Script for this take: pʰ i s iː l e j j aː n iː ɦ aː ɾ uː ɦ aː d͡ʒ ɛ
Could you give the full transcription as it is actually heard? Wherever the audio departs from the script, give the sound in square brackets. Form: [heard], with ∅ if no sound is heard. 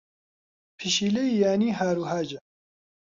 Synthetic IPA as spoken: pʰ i [ʃ] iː l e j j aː n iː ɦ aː ɾ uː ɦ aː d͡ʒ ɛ